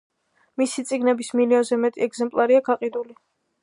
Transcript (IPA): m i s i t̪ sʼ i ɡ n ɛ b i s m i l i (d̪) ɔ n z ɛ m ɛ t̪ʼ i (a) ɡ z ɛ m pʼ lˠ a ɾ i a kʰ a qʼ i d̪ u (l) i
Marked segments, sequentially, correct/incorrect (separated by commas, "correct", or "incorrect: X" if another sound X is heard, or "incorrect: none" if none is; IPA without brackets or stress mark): incorrect: none, incorrect: ɛ, correct